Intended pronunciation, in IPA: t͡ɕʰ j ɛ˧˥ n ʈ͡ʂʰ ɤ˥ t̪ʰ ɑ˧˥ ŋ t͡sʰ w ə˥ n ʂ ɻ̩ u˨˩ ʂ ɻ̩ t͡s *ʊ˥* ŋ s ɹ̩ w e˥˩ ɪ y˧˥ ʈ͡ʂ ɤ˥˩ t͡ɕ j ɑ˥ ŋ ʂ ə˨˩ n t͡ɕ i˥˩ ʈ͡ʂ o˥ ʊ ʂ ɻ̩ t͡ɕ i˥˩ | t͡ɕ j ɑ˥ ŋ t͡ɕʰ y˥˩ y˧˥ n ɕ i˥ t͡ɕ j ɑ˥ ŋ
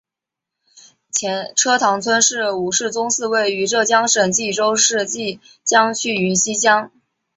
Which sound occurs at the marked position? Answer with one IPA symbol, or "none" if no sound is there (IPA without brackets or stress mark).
ʊ˥